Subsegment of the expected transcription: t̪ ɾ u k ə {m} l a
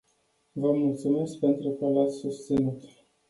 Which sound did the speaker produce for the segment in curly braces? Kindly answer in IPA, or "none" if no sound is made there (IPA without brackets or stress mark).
none